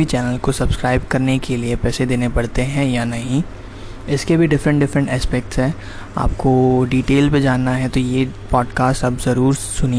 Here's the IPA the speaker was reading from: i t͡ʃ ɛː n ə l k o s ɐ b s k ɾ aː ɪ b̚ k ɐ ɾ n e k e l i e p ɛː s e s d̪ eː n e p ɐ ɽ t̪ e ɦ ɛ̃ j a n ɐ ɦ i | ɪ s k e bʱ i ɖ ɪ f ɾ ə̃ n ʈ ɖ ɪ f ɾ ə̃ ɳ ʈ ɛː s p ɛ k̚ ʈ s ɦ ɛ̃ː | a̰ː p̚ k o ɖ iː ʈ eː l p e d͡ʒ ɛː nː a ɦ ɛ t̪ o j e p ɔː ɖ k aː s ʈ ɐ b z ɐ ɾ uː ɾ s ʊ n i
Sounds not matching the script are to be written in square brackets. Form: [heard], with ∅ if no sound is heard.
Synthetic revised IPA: i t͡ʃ ɛː n ə l k o s ɐ b s k ɾ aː ɪ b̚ k ɐ ɾ n e k e l i e p ɛː s e [∅] d̪ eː n e p ɐ ɽ t̪ e ɦ ɛ̃ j a n ɐ ɦ [ĩ] | ɪ s k e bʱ i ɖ ɪ f ɾ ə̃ [ɳ] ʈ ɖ ɪ f ɾ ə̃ ɳ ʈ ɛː s p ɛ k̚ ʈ s ɦ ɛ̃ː | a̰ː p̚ k o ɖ iː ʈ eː l p e d͡ʒ [aː] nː a ɦ ɛ t̪ o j e p ɔː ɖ k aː s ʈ ɐ b z ɐ ɾ uː ɾ s ʊ n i